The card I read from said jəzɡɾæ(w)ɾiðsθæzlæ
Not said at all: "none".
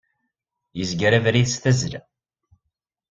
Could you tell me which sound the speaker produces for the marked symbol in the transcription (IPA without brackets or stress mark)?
v